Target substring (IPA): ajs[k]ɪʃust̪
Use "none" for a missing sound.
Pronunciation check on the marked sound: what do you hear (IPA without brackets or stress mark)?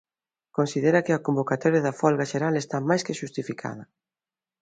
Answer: k